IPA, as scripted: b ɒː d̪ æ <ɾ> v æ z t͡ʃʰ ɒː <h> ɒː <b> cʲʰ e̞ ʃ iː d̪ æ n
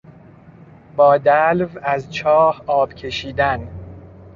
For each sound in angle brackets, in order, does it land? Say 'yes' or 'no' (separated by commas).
no, yes, yes